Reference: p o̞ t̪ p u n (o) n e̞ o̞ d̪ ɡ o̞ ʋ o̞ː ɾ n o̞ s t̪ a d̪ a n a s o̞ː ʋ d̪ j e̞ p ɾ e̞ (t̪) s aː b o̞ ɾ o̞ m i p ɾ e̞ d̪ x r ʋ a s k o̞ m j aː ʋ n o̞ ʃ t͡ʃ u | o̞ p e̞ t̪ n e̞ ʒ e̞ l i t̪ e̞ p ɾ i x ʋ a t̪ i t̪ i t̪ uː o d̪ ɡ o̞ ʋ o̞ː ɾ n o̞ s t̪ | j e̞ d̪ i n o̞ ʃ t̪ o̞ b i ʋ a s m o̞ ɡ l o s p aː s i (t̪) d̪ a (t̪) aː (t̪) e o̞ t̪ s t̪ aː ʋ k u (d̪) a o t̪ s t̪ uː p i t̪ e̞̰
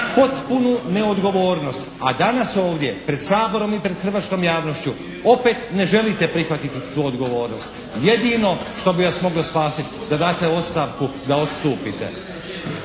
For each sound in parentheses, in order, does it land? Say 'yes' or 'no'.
no, no, yes, no, yes, yes

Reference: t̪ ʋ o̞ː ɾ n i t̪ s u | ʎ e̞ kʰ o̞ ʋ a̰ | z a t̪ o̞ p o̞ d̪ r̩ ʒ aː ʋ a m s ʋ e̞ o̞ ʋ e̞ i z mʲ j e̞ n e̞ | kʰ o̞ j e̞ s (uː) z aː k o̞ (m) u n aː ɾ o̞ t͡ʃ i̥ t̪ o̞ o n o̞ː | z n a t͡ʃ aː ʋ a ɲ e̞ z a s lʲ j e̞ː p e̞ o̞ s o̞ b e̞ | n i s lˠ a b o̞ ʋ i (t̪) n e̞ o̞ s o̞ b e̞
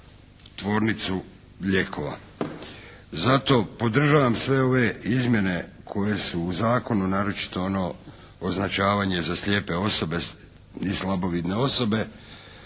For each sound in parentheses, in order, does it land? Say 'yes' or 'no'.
yes, no, no

